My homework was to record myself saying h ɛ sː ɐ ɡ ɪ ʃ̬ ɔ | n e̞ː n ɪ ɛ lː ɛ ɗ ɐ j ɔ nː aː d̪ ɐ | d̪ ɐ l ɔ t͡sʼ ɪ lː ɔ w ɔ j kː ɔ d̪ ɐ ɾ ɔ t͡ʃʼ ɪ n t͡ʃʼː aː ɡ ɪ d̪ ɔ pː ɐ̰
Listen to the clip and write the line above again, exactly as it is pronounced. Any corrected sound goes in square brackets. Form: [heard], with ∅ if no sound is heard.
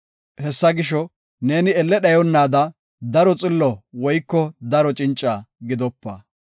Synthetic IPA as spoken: h ɛ sː ɐ ɡ ɪ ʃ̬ ɔ | n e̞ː n ɪ ɛ lː ɛ ɗ ɐ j ɔ nː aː d̪ ɐ | d̪ ɐ [ɾ] ɔ t͡sʼ ɪ lː ɔ w ɔ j kː ɔ d̪ ɐ ɾ ɔ t͡ʃʼ ɪ n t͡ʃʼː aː ɡ ɪ d̪ ɔ pː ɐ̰